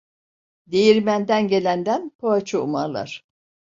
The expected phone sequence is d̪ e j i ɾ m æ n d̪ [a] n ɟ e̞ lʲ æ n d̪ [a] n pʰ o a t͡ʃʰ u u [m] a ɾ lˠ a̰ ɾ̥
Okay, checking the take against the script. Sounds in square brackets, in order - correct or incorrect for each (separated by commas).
incorrect, incorrect, correct